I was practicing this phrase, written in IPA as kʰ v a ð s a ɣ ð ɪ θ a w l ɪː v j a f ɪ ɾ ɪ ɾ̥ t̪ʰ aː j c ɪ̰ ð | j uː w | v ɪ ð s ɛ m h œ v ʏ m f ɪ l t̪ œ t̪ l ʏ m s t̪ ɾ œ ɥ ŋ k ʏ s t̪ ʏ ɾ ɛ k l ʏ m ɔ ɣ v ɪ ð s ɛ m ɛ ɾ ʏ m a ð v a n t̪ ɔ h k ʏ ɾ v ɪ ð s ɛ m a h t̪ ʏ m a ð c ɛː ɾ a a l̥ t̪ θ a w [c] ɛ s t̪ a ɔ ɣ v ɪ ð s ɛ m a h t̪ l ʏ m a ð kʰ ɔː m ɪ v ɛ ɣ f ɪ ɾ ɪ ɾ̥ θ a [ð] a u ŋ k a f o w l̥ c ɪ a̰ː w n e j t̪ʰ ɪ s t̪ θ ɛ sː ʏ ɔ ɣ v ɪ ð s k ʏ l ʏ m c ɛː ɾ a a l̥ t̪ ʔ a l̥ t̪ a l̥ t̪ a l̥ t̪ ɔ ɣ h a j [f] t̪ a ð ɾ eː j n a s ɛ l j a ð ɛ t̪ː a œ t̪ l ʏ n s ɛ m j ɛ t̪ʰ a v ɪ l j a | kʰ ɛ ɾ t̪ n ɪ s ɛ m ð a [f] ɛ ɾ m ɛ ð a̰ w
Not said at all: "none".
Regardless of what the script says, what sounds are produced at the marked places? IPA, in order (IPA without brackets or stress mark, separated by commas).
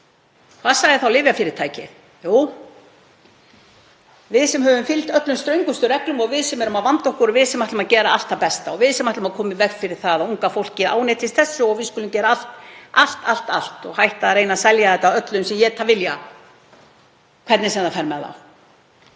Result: p, ð, h, f